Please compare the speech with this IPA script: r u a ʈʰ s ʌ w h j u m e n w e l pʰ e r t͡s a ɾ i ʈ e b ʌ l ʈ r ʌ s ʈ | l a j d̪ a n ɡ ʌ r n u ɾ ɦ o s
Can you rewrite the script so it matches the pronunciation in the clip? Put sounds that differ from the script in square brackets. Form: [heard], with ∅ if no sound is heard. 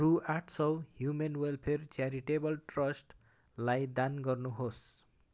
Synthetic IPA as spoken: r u a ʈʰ s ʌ w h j u m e n w e l pʰ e r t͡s a ɾ i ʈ e b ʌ l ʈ r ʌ s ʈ | l a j d̪ a n ɡ ʌ r n u [∅] ɦ o s